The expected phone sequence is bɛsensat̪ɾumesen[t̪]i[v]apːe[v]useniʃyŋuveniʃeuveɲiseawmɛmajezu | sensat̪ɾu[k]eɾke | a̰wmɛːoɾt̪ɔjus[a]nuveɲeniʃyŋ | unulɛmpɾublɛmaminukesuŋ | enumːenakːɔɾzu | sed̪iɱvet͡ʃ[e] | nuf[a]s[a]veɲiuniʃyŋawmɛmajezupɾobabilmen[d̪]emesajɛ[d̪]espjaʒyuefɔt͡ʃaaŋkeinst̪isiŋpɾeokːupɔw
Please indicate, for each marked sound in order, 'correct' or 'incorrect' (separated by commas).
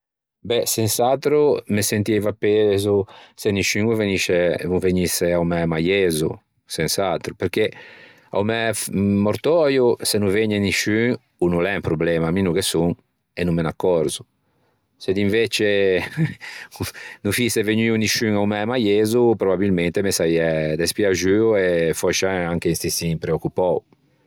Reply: correct, correct, incorrect, incorrect, incorrect, correct, incorrect, incorrect, incorrect, correct